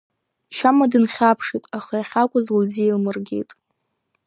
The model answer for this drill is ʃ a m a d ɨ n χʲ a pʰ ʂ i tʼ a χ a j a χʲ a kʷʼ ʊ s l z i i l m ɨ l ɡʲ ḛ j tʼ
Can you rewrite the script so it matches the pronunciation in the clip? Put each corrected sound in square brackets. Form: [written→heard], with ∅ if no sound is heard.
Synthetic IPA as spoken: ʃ a m a d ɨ n χʲ a pʰ ʂ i tʼ a χ a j a χʲ a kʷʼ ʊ [s→z] l z i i l m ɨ [l→r] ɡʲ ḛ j tʼ